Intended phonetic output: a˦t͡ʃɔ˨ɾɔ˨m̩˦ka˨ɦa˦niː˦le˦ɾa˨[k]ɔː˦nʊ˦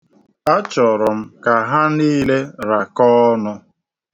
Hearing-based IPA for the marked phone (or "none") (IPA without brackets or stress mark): k